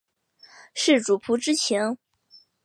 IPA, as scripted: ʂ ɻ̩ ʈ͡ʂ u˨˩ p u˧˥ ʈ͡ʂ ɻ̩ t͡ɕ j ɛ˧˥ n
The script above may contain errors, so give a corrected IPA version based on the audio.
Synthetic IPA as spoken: ʂ ɻ̩ ʈ͡ʂ u˨˩ pʰ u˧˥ ʈ͡ʂ ɻ̩ t͡ɕʰ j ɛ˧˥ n